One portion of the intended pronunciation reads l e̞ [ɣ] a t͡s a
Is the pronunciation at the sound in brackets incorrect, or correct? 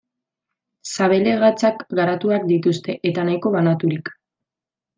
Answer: correct